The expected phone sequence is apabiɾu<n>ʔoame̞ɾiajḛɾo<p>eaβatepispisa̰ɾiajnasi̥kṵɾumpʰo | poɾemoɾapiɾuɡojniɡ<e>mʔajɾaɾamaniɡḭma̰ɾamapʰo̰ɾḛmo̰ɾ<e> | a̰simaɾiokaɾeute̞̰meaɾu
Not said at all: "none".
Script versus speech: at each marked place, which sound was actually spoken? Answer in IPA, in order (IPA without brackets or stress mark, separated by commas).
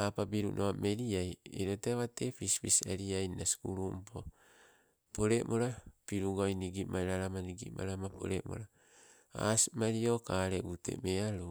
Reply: n, t, i, a